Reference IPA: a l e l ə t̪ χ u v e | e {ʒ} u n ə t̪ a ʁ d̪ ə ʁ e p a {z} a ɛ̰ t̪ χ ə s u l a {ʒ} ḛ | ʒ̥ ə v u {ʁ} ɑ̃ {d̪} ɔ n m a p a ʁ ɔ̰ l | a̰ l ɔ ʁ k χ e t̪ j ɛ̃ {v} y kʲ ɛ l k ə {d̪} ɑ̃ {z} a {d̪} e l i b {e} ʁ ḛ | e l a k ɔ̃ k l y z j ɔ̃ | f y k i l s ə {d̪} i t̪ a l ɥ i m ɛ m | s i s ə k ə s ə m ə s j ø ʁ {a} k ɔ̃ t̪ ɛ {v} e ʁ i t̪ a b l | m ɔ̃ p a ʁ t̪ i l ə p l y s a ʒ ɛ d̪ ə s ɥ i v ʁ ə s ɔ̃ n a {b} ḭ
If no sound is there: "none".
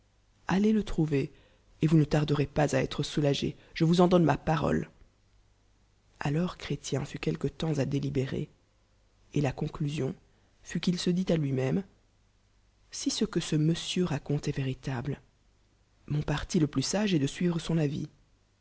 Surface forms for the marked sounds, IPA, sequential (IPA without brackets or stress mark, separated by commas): v, z, ʒ, z, d̪, f, t̪, z, d̪, e, d̪, a, v, v